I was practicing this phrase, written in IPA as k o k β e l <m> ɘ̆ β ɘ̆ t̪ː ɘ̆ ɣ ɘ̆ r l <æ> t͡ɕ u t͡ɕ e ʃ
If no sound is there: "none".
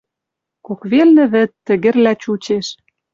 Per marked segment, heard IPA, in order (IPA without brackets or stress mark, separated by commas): n, æ